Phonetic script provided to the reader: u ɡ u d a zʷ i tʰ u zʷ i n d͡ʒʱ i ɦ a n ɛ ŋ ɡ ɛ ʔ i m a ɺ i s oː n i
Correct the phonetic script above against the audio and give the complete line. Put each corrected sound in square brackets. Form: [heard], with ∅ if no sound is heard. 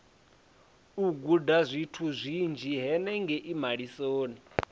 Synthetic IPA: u ɡ u d a zʷ i tʰ u zʷ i n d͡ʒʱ i ɦ [ɛ] n ɛ ŋ ɡ ɛ ʔ i m a ɺ i s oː n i